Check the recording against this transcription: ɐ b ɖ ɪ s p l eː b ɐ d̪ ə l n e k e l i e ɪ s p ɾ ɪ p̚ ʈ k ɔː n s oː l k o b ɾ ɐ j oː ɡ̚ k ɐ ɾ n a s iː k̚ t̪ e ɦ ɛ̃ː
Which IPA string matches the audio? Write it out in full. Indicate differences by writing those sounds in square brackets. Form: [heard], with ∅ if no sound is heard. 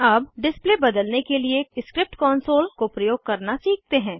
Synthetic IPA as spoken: ɐ b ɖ ɪ s p l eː b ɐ d̪ ə l n e k e l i e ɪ s [k] ɾ ɪ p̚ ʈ k ɔː n s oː l k o [p] ɾ ɐ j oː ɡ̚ k ɐ ɾ n a s iː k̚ t̪ e ɦ ɛ̃ː